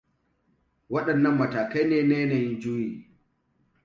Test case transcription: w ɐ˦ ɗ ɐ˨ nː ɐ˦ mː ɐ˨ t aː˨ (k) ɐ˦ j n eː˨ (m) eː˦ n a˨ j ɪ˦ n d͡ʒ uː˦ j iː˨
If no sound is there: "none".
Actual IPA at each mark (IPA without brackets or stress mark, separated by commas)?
k, n